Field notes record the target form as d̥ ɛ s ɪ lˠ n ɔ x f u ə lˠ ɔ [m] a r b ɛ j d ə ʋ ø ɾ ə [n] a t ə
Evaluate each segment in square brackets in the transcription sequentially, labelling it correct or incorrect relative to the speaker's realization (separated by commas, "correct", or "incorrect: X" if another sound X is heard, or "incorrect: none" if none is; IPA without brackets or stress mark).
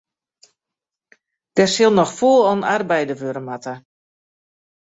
incorrect: n, incorrect: m